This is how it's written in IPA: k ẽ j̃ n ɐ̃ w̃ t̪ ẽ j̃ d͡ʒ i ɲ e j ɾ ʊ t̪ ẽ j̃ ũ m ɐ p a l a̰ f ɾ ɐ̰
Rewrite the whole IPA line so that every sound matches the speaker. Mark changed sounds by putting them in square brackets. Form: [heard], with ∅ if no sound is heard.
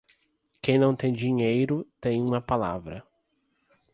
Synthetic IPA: k ẽ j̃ n ɐ̃ w̃ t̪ ẽ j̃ d͡ʒ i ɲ e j ɾ ʊ t̪ ẽ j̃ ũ m ɐ p a l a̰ [v] ɾ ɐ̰